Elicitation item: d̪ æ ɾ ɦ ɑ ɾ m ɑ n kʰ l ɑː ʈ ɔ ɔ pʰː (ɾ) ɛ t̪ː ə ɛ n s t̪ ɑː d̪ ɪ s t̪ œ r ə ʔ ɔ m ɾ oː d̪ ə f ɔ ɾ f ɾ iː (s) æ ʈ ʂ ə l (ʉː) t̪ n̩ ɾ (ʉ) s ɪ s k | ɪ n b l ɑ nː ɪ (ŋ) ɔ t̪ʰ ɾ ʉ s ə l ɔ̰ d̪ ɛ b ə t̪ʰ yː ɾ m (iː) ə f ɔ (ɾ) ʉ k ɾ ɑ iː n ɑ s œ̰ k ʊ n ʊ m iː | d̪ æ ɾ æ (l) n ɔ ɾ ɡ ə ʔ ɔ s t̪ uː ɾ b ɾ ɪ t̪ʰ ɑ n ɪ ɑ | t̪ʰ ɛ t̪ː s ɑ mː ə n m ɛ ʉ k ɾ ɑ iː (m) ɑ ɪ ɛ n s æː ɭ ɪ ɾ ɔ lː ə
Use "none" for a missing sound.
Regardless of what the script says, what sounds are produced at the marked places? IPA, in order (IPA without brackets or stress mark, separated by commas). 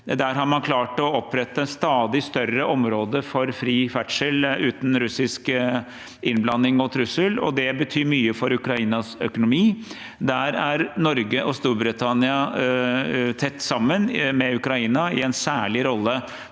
ɾ, f, ʉː, ʉ, ŋ, yː, ɾ, ɾ, n